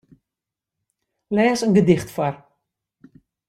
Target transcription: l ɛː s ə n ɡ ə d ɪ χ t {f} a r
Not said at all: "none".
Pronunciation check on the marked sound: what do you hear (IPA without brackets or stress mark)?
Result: f